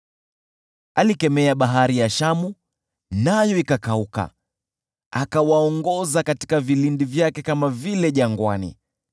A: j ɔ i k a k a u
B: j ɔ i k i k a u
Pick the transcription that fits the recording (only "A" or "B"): A